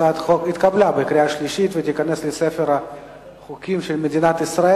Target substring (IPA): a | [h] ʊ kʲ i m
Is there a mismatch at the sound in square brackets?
yes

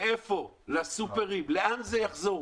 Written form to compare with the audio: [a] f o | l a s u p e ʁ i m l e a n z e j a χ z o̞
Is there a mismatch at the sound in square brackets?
yes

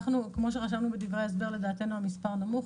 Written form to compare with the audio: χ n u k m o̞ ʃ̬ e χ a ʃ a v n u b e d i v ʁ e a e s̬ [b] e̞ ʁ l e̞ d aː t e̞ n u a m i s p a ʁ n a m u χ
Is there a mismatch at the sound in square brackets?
no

